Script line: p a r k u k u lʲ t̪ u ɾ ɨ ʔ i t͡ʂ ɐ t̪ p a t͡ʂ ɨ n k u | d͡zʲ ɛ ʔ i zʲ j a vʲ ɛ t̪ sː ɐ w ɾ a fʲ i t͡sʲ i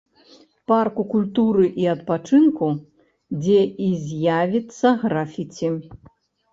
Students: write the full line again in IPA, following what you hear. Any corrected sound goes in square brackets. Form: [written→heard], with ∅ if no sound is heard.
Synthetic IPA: p a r k u k u lʲ t̪ u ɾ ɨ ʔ i [t͡ʂ→∅] ɐ t̪ p a t͡ʂ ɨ n k u | d͡zʲ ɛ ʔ i zʲ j a vʲ [ɛ→i] t̪ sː ɐ [w→ɣ] ɾ a fʲ i t͡sʲ i